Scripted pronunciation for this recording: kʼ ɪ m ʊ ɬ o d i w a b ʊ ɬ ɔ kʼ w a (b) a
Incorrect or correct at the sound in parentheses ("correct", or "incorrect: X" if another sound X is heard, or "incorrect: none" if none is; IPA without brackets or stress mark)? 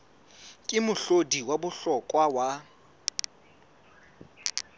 incorrect: w